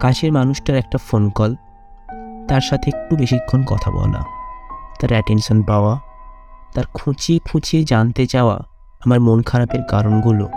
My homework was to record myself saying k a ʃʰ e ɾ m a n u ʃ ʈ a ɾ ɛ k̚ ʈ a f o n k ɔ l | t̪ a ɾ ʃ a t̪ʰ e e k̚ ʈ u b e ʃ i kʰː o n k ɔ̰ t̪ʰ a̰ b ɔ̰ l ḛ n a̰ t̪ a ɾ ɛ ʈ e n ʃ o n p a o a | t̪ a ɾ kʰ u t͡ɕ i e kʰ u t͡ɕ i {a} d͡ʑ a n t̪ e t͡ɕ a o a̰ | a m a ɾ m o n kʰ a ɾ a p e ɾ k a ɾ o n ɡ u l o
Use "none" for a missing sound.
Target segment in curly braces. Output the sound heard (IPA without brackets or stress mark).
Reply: e